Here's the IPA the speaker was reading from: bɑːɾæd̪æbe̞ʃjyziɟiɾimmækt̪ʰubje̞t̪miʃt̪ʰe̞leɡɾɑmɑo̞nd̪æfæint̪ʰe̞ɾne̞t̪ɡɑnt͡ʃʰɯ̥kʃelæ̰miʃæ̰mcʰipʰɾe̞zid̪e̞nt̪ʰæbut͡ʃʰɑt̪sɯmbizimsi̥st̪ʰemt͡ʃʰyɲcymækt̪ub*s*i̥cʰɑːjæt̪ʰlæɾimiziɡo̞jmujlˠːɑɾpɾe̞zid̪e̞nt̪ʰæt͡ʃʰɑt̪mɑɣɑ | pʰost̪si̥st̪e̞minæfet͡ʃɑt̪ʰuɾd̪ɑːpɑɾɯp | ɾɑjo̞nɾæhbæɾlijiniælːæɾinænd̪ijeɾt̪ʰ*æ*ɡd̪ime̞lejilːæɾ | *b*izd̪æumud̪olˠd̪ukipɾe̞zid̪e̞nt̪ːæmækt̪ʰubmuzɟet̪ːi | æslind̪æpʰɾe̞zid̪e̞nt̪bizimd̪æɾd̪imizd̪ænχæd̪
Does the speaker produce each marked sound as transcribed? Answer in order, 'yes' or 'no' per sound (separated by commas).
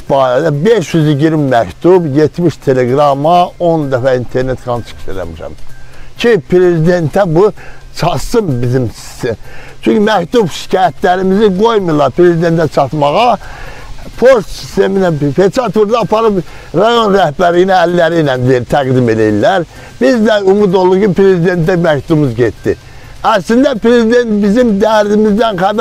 no, yes, yes